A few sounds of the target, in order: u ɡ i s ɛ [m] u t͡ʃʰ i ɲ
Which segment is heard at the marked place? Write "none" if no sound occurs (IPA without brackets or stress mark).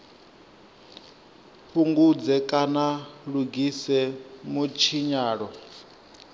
m